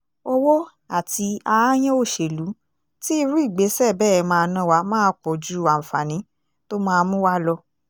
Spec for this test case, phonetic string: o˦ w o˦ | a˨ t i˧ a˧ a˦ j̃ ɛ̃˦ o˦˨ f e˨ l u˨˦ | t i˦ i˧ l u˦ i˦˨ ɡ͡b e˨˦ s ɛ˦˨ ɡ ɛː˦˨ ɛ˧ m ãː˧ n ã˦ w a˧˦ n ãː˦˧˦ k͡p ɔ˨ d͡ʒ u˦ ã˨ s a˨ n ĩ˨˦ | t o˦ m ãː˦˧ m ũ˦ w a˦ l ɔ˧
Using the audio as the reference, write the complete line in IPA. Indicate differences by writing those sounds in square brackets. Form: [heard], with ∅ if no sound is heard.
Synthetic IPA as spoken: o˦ w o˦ | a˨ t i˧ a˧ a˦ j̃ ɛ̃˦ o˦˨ [ʃ] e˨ l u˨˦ | t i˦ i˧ [ɾ] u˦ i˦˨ ɡ͡b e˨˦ s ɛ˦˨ [b] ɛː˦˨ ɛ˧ m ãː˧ n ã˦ w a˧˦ [m] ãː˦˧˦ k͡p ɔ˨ d͡ʒ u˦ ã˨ [f] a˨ n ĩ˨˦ | t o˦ m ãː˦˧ m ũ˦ w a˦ l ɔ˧